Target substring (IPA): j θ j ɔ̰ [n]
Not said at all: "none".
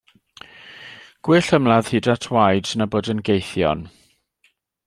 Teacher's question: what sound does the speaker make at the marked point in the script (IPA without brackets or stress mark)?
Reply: n